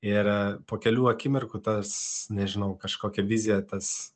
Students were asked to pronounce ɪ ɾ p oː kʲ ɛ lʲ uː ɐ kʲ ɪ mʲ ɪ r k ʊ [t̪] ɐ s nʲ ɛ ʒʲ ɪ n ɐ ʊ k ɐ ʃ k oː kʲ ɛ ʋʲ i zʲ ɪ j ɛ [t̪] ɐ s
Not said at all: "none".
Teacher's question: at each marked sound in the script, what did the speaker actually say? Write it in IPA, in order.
t̪, t̪

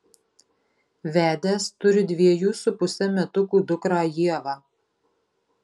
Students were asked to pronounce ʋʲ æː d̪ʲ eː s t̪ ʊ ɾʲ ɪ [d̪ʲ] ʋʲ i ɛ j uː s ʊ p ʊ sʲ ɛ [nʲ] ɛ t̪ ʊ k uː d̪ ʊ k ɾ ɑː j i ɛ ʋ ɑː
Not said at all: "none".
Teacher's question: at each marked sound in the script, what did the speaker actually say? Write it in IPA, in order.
d̪ʲ, mʲ

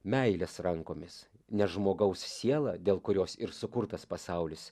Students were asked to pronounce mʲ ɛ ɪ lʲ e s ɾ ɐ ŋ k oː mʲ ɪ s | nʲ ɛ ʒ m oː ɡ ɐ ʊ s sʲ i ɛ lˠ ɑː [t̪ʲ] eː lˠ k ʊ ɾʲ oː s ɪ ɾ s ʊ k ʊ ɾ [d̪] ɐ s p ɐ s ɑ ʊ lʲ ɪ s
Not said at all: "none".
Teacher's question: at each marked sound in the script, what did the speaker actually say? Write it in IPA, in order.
d̪ʲ, t̪

